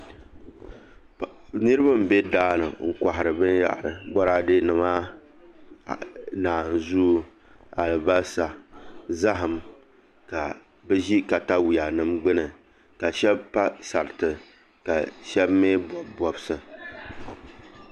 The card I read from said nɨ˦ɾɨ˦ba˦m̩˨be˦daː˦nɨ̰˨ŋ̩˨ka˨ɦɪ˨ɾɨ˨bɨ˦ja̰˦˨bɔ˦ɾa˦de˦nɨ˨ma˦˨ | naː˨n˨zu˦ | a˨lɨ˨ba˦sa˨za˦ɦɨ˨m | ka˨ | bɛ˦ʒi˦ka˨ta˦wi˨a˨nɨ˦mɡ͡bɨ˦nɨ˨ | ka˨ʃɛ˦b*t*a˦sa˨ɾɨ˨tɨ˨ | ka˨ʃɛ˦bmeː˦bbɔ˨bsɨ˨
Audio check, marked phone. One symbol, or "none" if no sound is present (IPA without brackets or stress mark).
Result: p